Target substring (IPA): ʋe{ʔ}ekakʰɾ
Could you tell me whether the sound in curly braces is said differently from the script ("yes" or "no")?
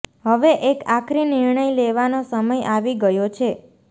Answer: no